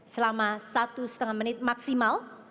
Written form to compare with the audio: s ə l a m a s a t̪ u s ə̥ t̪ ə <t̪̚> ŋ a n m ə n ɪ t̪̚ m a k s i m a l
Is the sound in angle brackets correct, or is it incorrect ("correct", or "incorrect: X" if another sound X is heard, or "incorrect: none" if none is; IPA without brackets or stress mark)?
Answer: incorrect: none